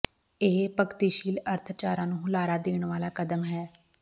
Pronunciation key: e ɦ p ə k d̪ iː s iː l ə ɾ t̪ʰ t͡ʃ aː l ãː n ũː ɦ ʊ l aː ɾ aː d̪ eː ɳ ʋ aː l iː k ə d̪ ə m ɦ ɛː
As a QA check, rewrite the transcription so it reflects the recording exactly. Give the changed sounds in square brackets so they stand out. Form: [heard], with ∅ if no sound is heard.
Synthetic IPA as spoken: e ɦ p ə k [t̪] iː [ʃ] iː l ə ɾ t̪ʰ t͡ʃ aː [ɾ] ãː n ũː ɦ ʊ l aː ɾ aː d̪ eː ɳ ʋ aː l [aː] k ə d̪ ə m ɦ ɛː